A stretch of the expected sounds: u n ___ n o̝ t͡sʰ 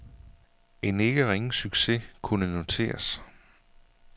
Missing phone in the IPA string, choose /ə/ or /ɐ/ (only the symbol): ə